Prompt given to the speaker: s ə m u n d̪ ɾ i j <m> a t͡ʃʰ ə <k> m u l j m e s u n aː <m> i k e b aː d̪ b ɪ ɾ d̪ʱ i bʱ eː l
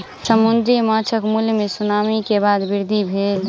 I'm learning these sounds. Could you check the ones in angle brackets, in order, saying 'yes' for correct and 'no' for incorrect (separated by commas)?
yes, yes, yes